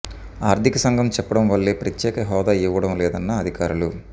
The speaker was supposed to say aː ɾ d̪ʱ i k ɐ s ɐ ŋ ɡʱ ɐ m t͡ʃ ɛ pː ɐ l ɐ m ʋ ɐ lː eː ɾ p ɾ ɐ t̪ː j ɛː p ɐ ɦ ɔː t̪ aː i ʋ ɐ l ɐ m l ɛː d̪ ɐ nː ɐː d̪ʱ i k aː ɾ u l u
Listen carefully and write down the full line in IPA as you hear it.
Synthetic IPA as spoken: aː ɾ d̪ʱ i k ɐ s ɐ ŋ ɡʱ ɐ m t͡ʃ ɛ pː ɐ ɽ ɐ m ʋ ɐ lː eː p ɾ ɐ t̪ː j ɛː k ɐ ɦ ɔː d̪ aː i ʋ ɐ ɽ ɐ m l ɛː d̪ ɐ nː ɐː d̪ʱ i k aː ɾ u l u